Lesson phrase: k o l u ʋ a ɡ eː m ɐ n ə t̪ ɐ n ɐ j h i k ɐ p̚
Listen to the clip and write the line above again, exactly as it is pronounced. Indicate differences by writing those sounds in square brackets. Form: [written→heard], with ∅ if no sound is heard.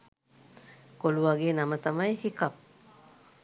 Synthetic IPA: k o l u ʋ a ɡ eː [m→n] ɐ [n→m] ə t̪ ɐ [n→m] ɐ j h i k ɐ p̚